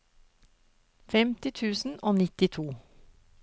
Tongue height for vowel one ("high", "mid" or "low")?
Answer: mid